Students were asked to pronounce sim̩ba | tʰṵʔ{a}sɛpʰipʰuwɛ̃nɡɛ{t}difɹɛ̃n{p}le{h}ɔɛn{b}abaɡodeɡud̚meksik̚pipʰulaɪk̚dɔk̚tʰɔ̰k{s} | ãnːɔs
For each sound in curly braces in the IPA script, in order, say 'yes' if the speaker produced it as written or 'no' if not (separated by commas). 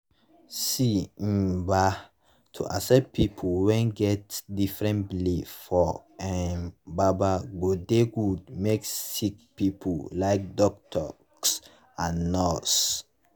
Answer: yes, yes, no, no, yes, yes